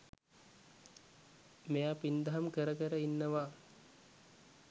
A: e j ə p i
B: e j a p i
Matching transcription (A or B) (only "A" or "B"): B